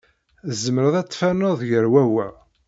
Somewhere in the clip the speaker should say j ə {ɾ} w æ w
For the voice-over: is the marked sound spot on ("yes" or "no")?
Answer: yes